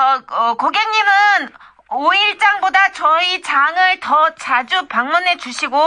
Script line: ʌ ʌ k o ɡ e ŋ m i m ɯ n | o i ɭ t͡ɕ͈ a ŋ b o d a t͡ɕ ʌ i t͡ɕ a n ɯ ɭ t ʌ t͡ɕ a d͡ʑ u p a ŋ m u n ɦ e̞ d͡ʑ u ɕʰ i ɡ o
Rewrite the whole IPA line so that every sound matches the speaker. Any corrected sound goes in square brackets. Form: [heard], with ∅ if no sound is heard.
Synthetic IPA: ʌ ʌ k o ɡ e ŋ [ɲ] i m ɯ n | o i ɭ t͡ɕ͈ a ŋ b o d a t͡ɕ ʌ i t͡ɕ a [ŋ] ɯ ɭ t ʌ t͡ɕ a d͡ʑ u p a ŋ m u n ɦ e̞ d͡ʑ u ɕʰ i ɡ o